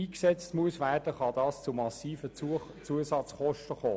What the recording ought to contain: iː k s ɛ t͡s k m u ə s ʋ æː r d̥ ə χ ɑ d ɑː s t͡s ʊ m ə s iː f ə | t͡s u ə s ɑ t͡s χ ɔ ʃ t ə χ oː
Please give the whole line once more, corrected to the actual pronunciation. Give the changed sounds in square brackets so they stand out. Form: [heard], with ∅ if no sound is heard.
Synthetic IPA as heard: iː k s ɛ t͡s [t] m u ə s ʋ æː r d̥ ə χ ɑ d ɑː s t͡s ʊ m [ɑ] s iː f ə | t͡s u ə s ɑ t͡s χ ɔ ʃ t ə χ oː